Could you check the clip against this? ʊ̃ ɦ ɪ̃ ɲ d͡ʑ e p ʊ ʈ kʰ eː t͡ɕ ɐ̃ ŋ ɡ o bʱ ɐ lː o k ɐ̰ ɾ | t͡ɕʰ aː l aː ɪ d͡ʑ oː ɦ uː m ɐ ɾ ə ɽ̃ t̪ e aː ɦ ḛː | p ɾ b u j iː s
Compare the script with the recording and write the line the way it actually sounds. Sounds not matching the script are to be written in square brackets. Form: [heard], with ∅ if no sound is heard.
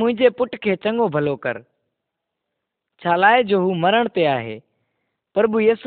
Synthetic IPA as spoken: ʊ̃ ɦ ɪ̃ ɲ d͡ʑ e p ʊ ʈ kʰ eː t͡ɕ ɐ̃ ŋ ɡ o bʱ ɐ [l] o k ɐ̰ ɾ | t͡ɕʰ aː l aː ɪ d͡ʑ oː ɦ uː m ɐ ɾ ə ɽ̃ t̪ e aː ɦ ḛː | p ɾ b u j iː s